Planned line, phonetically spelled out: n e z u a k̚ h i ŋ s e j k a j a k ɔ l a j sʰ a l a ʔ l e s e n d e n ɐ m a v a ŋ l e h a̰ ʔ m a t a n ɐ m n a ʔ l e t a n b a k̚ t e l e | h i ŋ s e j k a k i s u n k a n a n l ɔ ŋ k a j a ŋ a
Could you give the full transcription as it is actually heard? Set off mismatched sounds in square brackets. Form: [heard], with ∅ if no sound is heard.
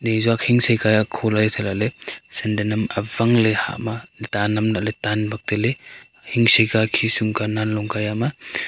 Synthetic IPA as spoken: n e z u a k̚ h i ŋ s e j k a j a [kʰ] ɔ l a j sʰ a l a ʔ l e s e n d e n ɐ m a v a ŋ l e h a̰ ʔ m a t a n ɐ m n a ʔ l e t a n b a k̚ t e l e | h i ŋ s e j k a [kʰ] i s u [ŋ] k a n a n l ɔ ŋ k a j a [m] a

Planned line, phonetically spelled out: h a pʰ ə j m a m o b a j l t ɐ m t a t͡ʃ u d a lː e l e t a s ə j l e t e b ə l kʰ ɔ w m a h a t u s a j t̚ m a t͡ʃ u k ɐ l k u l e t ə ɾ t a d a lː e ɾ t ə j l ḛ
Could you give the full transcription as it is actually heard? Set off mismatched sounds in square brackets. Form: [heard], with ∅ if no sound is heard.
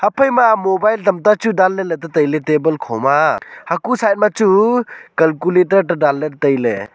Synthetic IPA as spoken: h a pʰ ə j m a m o b a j l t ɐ m t a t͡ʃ u d a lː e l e t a [t] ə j l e t e b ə l kʰ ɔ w m a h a [k] u s a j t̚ m a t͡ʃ u k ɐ l k u l e t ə ɾ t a d a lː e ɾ t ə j l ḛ

